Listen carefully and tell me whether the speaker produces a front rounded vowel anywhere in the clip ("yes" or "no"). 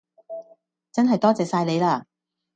no